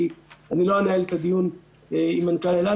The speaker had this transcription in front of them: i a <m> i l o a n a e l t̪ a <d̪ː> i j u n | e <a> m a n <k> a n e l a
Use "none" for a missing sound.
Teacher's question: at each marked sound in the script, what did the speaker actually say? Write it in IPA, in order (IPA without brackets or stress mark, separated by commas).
n, d̪, i, k